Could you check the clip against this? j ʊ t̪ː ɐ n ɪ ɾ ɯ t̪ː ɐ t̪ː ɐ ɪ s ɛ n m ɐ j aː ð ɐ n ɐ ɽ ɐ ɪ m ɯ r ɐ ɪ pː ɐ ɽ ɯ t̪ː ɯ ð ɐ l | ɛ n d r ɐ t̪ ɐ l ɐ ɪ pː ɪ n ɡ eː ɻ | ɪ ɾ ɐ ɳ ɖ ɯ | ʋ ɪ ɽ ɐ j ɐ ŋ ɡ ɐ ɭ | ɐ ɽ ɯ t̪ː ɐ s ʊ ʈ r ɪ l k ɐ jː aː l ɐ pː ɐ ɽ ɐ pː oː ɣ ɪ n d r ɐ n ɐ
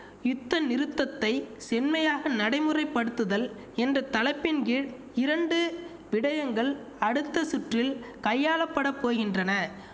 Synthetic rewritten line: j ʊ t̪ː ɐ n ɪ ɾ ɯ t̪ː ɐ t̪ː ɐ ɪ s ɛ n m ɐ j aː ɣ ɐ n ɐ ɽ ɐ ɪ m ɯ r ɐ ɪ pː ɐ ɽ ɯ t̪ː ɯ ð ɐ l | ɛ n d r ɐ t̪ ɐ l ɐ ɪ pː ɪ n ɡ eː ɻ | ɪ ɾ ɐ ɳ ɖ ɯ | ʋ ɪ ɽ ɐ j ɐ ŋ ɡ ɐ ɭ | ɐ ɽ ɯ t̪ː ɐ s ʊ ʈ r ɪ l k ɐ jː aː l ɐ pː ɐ ɽ ɐ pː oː ɣ ɪ n d r ɐ n ɐ